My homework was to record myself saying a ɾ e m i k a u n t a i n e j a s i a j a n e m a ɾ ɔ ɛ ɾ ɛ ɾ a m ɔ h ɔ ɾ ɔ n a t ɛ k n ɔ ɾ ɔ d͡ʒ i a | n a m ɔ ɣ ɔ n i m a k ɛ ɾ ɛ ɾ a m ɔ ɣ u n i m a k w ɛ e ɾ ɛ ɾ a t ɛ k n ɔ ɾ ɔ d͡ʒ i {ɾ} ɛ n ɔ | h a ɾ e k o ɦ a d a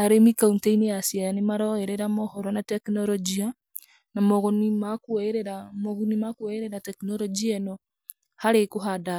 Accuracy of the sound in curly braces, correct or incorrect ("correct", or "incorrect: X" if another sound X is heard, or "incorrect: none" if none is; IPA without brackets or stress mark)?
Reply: incorrect: none